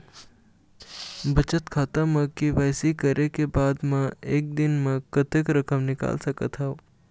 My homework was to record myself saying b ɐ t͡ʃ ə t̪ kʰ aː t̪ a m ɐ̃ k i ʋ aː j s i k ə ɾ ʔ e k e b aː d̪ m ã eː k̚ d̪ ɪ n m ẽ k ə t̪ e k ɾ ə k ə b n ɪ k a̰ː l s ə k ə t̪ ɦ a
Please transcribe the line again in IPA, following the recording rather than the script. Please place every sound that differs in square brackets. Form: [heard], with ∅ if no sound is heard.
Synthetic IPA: b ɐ t͡ʃ ə t̪ kʰ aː t̪ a m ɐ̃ k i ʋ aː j s i k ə ɾ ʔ e k e b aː d̪ m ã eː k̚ d̪ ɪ n m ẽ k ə t̪ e k ɾ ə k ə [m] n ɪ k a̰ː l s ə k ə t̪ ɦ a